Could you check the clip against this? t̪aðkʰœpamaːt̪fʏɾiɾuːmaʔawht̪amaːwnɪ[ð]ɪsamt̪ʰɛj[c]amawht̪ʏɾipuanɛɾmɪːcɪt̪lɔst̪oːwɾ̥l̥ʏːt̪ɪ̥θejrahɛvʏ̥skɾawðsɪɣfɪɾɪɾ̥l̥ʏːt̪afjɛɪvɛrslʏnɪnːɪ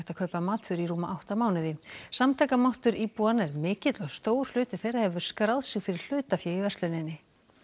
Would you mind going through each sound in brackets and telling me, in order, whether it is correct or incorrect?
correct, incorrect: k

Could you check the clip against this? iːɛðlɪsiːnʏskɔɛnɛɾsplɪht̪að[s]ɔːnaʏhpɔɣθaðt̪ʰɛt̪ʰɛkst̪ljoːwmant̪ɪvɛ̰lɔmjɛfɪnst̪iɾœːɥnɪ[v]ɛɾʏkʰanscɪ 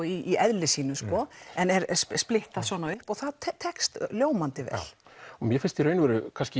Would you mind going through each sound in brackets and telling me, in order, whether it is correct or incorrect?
correct, correct

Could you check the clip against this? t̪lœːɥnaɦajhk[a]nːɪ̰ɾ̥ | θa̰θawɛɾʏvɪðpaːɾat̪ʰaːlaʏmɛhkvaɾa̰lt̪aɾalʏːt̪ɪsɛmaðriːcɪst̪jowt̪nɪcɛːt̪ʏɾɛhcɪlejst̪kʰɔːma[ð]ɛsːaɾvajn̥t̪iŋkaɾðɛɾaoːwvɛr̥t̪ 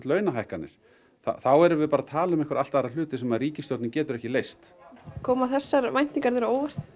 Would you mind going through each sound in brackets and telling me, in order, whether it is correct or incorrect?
correct, incorrect: θ

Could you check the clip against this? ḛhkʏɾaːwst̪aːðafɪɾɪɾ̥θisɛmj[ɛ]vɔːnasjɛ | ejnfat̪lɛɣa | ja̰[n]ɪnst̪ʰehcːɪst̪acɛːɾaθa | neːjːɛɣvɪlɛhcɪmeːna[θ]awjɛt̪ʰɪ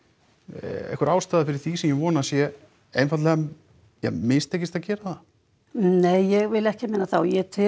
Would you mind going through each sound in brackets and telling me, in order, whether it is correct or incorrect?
correct, incorrect: m, correct

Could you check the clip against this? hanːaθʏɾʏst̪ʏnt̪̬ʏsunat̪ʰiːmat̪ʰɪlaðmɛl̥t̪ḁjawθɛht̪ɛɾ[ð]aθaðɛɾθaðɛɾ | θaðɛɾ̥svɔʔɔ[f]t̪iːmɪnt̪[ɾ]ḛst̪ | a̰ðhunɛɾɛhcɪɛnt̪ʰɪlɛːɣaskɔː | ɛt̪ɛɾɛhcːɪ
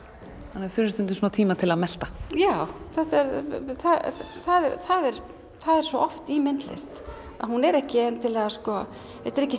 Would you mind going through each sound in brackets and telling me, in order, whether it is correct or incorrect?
incorrect: θ, correct, incorrect: l

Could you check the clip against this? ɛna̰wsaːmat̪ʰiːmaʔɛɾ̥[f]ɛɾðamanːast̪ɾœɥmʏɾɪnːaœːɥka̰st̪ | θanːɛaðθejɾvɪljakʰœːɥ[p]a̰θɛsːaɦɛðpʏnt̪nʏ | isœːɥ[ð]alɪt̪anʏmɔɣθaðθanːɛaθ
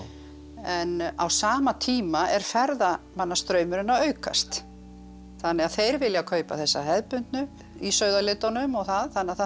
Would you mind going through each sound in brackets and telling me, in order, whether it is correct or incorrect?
correct, correct, correct

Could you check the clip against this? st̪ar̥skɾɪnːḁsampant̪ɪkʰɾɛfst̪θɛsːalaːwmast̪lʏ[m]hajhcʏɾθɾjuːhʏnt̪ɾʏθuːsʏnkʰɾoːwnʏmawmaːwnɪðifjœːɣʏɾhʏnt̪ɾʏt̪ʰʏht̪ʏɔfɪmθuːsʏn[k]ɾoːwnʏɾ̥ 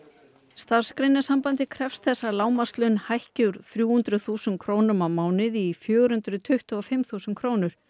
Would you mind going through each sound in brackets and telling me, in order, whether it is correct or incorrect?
incorrect: n, incorrect: kʰ

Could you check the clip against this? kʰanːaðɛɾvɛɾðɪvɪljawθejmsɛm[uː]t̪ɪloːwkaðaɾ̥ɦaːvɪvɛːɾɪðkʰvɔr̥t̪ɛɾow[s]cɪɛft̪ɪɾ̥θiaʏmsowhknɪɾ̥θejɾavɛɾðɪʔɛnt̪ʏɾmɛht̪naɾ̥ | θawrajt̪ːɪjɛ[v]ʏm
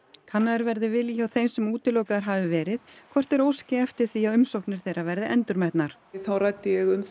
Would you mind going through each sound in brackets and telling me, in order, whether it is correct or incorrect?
correct, correct, incorrect: ɣ

